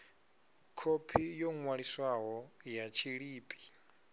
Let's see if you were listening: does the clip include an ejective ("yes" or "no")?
yes